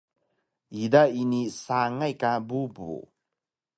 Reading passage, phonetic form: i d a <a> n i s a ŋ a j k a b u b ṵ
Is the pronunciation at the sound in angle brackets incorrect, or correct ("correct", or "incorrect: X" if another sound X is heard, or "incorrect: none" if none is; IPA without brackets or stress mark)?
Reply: incorrect: i